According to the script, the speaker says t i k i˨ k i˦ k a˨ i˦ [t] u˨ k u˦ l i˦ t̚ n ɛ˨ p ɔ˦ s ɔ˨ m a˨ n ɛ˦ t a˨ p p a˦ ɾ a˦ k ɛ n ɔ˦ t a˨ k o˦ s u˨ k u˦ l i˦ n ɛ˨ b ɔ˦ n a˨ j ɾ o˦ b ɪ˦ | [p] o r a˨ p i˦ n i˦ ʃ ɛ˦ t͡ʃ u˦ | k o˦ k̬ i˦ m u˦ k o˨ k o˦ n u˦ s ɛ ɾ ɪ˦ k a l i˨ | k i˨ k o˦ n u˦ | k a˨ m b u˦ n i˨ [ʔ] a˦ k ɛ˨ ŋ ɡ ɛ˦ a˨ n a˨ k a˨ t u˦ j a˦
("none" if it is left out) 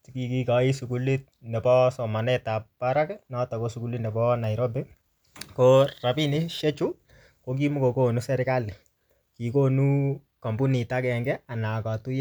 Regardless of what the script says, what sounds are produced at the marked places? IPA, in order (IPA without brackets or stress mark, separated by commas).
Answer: s, k, t